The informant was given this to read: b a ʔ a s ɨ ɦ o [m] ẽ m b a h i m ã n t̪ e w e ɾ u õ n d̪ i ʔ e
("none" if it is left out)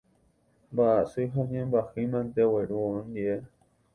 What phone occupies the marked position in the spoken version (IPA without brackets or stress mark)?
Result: ɲ